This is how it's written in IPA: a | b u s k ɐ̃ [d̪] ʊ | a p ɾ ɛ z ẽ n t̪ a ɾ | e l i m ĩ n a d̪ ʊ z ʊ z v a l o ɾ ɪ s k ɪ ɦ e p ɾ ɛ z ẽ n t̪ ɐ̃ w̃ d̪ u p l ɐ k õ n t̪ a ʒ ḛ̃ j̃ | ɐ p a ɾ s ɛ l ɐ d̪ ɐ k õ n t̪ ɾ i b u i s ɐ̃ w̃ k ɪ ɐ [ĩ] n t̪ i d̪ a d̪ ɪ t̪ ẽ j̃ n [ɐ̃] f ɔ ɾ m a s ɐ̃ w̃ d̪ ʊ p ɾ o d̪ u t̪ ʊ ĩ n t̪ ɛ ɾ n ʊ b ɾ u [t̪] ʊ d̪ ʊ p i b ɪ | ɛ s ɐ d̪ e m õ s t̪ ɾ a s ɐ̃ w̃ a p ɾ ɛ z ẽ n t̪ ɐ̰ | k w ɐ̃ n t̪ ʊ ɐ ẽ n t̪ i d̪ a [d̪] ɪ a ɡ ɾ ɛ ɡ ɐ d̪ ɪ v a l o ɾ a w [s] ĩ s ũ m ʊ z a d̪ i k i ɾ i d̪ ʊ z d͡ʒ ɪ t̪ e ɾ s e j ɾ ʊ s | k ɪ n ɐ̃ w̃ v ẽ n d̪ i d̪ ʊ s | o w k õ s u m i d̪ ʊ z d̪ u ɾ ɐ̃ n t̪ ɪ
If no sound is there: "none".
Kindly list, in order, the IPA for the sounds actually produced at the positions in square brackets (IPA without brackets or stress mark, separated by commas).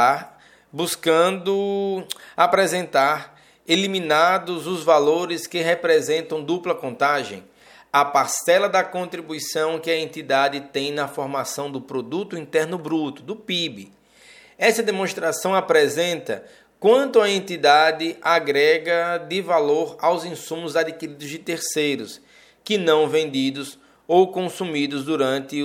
d̪, ẽ, ɐ, t̪, d̪, z